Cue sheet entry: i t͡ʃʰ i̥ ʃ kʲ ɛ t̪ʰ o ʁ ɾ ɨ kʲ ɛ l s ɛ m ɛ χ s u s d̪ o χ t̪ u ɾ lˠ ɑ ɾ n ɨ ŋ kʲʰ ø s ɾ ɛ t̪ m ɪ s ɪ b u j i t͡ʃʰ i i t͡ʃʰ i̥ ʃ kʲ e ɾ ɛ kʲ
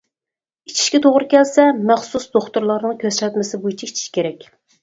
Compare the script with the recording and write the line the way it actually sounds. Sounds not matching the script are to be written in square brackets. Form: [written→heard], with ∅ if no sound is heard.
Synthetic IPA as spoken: i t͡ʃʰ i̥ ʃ kʲ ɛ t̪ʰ o ʁ ɾ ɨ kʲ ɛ l s ɛ m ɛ χ s u s d̪ o χ t̪ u ɾ lˠ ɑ ɾ n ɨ ŋ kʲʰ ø s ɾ ɛ t̪ m ɪ s ɪ b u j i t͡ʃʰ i i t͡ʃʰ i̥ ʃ kʲ e ɾ ɛ kʲ